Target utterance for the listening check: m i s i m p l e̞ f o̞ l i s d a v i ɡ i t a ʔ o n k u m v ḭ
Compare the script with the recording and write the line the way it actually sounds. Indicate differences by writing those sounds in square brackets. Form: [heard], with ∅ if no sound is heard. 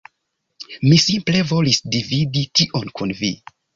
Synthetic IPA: m i s i m p l e̞ [v] o̞ l i s d [i] v i [d] i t [i] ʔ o n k u [n] v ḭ